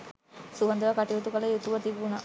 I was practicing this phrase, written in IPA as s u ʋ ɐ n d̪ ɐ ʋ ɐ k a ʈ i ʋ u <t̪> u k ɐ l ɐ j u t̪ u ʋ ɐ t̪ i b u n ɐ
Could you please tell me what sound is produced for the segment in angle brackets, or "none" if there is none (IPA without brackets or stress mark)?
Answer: t̪